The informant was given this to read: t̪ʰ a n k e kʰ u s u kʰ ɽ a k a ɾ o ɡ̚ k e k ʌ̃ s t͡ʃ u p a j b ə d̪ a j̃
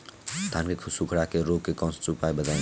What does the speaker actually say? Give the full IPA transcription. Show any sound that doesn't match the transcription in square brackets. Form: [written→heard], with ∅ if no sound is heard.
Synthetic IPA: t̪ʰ a n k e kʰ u s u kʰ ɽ a k [a→e] ɾ o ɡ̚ k e k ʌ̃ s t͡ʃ u p a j b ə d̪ a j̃